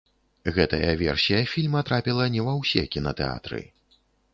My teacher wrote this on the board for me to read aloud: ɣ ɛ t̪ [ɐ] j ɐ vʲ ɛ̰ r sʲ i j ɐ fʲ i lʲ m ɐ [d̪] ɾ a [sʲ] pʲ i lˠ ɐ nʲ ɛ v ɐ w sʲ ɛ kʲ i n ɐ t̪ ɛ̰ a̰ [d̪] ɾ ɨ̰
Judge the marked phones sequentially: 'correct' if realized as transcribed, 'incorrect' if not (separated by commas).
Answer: correct, incorrect, incorrect, incorrect